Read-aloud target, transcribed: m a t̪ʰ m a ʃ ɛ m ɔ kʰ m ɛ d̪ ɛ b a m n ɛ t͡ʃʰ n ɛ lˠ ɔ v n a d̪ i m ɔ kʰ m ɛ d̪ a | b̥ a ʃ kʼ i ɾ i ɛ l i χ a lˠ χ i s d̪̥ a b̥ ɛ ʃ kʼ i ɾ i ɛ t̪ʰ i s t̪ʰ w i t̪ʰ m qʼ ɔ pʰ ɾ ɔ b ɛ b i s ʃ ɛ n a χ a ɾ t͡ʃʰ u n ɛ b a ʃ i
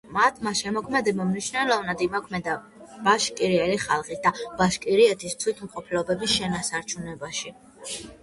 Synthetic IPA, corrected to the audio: m a t̪ʰ m a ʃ ɛ m ɔ kʰ m ɛ d̪ ɛ b a m n i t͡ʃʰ n ɛ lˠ ɔ v n a d̪ i m ɔ kʰ m ɛ d̪ a | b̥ a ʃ kʼ i ɾ i ɛ l i χ a lˠ χ i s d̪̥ a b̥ a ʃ kʼ i ɾ i ɛ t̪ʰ i s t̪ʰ w i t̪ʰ m qʼ ɔ pʰ l ɔ b ɛ b i s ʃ ɛ n a s a ɾ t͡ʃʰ u n ɛ b a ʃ i